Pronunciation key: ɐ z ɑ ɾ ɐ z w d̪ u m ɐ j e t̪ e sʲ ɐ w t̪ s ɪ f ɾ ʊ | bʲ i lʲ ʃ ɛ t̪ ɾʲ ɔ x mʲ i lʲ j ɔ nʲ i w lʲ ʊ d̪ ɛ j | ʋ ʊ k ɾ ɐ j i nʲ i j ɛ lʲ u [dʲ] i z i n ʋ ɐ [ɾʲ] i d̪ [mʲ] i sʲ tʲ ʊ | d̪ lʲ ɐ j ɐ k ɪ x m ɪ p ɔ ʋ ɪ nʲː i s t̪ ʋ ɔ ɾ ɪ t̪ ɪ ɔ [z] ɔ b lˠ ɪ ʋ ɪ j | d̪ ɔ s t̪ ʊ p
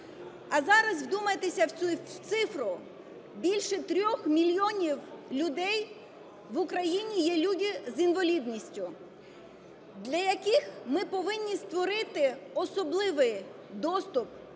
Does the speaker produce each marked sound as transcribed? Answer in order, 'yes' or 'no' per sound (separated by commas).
yes, no, no, no